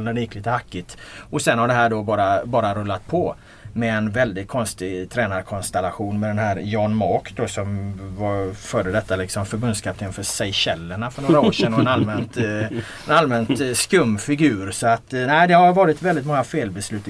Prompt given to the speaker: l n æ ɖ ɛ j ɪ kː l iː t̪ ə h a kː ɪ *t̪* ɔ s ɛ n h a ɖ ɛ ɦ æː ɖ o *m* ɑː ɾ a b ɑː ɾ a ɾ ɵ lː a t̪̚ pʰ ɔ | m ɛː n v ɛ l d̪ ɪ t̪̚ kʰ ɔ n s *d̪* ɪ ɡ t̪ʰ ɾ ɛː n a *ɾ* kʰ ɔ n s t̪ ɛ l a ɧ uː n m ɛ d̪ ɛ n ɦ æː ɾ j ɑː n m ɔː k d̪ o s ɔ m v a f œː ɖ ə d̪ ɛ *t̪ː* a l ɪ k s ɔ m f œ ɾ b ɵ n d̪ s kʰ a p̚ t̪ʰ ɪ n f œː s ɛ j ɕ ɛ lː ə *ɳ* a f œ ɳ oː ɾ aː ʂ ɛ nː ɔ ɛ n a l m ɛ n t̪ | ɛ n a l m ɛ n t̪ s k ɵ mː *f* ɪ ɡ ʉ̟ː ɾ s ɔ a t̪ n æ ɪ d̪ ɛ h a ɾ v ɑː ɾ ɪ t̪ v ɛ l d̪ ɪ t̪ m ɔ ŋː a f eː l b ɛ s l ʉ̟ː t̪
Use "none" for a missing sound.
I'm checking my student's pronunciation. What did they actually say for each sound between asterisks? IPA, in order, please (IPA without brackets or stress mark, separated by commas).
t̪, b, t̪, ɾ, t̪ː, ɳ, f